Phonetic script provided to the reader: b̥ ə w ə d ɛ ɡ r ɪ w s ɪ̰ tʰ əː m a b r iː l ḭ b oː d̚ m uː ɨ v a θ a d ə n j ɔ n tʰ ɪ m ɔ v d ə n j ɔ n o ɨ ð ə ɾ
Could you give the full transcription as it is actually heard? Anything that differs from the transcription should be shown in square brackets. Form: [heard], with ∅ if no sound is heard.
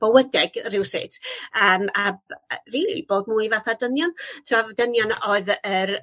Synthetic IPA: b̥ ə w ə d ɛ ɡ r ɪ w s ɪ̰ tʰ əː m a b r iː l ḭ b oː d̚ m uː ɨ v a θ a d ə n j ɔ n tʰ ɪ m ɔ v d ə n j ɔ n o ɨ ð ə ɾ